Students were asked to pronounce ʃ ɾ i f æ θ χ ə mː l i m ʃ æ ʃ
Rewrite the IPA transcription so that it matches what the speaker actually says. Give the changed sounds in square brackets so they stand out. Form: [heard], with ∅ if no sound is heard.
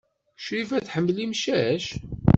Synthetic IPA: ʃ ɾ i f æ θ [ħ] ə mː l i m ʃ æ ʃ